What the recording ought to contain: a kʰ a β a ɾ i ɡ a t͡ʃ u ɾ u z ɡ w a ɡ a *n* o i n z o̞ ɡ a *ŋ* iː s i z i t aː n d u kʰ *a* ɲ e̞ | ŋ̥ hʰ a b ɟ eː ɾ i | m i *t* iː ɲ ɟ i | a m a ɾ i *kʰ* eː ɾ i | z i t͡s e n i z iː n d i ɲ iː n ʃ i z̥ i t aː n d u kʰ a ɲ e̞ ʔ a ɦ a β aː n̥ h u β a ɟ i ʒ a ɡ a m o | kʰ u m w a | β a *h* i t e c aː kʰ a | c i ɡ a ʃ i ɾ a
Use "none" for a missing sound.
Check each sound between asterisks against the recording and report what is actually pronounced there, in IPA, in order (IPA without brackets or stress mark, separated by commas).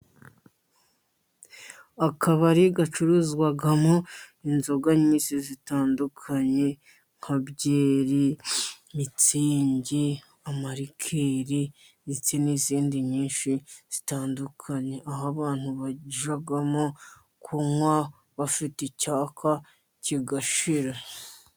m, ɲ, a, t͡s, kʰ, f